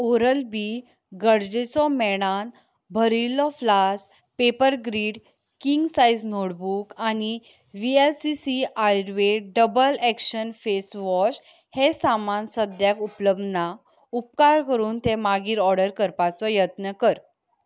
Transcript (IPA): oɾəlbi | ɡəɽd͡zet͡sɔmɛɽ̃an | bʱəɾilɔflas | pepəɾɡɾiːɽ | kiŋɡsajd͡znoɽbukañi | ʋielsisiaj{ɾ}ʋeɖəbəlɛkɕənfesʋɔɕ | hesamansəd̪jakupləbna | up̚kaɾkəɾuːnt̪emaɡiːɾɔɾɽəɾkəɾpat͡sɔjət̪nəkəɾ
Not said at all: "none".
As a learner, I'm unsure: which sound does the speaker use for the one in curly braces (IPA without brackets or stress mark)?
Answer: ɾ